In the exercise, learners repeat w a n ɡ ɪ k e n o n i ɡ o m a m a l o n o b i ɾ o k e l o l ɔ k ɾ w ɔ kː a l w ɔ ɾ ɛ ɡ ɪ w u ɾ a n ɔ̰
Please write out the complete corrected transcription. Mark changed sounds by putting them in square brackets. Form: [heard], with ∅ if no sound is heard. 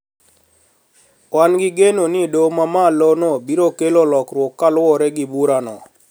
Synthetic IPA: w a n ɡ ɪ [ɡ] e n o n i [d] o m a m a l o n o b i ɾ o k e l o l ɔ k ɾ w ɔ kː a l w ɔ ɾ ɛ ɡ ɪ [b] u ɾ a n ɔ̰